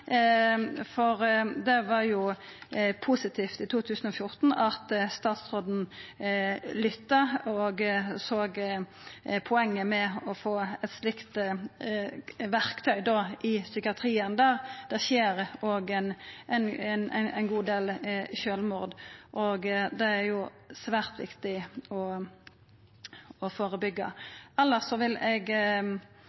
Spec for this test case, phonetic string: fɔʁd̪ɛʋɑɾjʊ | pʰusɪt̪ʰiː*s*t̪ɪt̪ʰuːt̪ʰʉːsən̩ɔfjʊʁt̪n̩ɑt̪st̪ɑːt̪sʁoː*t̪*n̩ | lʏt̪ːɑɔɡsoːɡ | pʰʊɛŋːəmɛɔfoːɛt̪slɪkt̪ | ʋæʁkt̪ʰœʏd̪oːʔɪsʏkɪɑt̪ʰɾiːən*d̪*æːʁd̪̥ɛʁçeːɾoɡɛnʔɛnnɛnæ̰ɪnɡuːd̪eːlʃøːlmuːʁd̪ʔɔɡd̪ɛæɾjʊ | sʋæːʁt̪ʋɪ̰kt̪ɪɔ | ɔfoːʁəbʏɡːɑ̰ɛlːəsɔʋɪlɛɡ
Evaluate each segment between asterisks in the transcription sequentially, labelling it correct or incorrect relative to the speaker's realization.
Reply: incorrect, incorrect, correct

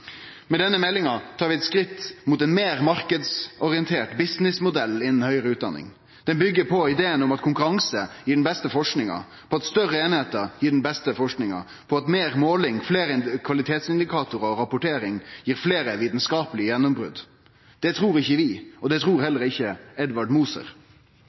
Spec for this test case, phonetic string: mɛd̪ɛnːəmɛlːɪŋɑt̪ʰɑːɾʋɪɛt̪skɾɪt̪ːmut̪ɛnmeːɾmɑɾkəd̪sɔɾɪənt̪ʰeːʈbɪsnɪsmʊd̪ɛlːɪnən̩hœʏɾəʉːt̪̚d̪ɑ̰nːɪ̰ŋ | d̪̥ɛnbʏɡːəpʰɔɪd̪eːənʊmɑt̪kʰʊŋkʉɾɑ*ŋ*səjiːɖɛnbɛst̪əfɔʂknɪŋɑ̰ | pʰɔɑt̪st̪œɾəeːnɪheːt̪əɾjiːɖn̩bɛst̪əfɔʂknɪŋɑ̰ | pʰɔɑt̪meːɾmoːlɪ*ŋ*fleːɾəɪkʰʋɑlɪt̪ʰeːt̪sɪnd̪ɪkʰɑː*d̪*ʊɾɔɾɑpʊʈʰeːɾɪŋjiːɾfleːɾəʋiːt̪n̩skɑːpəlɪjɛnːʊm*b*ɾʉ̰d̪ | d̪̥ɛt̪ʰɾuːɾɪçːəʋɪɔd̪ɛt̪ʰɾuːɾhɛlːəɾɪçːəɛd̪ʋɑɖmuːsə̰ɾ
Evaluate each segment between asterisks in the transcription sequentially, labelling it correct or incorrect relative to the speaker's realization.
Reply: correct, correct, incorrect, correct

